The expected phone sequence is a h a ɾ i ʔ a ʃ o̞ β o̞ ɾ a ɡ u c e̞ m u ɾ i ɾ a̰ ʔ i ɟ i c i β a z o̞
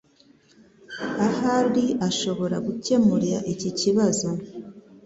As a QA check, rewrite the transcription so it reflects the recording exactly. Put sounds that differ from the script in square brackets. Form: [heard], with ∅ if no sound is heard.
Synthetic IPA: a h a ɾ i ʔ a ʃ o̞ β o̞ ɾ a ɡ u c e̞ m u ɾ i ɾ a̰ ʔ i [c] i c i β a z o̞